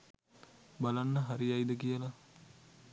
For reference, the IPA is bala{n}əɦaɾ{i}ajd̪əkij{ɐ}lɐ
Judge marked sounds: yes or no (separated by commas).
no, yes, no